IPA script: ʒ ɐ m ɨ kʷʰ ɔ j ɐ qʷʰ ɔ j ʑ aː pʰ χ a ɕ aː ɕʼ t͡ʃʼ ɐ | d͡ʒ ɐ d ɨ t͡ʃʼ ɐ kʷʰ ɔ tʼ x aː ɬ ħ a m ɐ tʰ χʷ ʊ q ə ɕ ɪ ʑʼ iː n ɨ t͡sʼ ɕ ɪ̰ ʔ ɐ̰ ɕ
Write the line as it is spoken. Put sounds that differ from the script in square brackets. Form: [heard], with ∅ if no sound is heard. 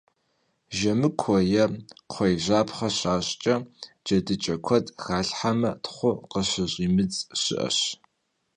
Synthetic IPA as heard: ʒ ɐ m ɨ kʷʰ ɔ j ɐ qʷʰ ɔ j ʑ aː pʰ χ [ɐ] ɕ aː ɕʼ t͡ʃʼ ɐ | d͡ʒ ɐ d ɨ t͡ʃʼ ɐ kʷʰ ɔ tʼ x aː ɬ ħ a m ɐ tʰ χʷ ʊ q ə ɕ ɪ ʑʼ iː [m] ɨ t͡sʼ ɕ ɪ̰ ʔ ɐ̰ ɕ